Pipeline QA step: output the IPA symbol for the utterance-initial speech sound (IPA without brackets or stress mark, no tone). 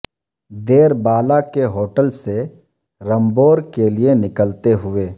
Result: d̪